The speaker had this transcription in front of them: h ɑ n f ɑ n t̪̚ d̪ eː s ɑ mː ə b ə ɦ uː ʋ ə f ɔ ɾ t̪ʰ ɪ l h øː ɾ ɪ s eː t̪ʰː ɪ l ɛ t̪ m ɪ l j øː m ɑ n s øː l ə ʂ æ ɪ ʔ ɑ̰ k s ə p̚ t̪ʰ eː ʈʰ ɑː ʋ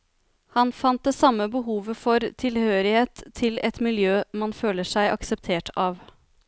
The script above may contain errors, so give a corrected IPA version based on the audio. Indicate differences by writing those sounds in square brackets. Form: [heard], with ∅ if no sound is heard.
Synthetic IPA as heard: h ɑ n f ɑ n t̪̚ d̪ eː s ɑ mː ə b ə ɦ uː ʋ ə f ɔ ɾ t̪ʰ ɪ l h øː ɾ ɪ [h] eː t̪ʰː ɪ l ɛ t̪ m ɪ l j øː m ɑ n [f] øː l ə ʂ æ ɪ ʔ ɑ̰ k s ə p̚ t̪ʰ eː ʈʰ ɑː ʋ